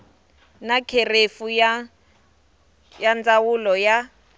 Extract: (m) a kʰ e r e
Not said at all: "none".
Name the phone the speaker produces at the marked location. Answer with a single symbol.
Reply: n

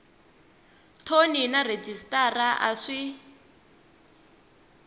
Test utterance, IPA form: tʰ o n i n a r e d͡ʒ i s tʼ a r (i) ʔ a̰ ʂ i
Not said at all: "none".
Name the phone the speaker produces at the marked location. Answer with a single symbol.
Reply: a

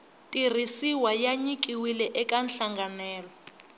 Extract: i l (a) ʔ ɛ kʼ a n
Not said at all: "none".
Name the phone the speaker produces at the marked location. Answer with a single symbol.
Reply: ɛ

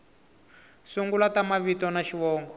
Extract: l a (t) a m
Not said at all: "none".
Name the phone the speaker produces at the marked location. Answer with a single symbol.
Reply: t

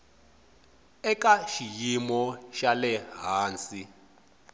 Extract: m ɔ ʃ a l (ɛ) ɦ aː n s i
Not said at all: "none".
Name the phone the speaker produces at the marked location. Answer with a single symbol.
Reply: ɛ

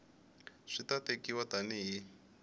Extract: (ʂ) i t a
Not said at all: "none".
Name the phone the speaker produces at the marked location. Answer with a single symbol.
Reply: ʂ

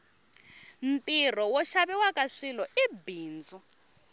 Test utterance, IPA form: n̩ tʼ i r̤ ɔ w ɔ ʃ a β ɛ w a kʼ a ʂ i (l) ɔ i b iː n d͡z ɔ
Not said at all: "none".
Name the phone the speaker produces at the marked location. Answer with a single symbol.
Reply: l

